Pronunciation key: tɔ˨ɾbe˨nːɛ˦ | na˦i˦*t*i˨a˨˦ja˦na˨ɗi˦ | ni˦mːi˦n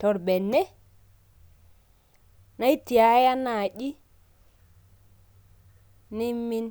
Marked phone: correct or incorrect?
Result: correct